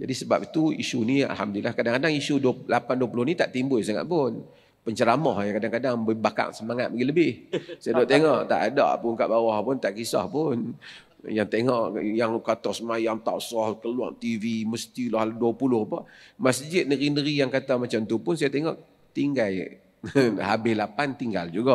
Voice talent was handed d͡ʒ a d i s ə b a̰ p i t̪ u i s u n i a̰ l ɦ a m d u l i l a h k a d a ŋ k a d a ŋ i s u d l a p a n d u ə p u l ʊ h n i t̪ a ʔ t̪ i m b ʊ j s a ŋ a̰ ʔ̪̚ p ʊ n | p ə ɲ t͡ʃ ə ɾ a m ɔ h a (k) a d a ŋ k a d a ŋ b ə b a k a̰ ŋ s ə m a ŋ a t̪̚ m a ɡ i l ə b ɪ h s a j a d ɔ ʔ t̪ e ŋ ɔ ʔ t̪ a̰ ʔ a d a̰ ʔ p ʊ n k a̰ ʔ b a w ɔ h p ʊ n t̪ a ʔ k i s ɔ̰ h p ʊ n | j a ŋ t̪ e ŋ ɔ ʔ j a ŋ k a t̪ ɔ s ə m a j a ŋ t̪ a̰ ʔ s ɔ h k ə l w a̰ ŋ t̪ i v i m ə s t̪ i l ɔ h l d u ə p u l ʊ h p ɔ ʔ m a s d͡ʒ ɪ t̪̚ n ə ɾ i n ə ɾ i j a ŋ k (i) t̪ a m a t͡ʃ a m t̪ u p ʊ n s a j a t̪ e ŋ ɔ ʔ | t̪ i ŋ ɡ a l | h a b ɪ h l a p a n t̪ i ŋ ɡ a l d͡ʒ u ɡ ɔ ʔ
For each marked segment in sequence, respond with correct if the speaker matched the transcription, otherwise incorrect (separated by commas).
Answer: correct, incorrect